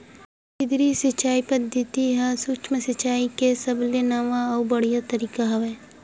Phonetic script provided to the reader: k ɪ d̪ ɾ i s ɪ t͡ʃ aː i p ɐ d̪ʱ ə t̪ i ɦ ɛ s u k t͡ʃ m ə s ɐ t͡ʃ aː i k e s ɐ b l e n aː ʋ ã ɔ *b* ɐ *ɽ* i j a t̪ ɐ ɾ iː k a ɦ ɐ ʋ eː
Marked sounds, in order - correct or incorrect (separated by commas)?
correct, correct